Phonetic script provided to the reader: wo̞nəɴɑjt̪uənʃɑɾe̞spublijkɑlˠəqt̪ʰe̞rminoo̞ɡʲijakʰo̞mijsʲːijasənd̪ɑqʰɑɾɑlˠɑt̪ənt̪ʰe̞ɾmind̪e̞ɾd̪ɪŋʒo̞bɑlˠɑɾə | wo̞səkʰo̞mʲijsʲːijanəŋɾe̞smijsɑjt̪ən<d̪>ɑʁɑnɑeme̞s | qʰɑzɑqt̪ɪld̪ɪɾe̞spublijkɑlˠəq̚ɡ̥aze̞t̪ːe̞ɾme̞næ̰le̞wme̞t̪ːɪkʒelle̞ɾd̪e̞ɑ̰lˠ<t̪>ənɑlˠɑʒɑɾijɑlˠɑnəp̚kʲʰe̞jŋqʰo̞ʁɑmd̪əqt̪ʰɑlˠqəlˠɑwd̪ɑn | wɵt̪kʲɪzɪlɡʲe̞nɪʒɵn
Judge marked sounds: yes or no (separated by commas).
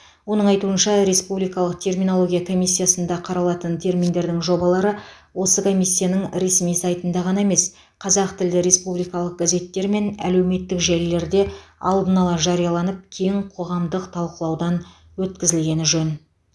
yes, no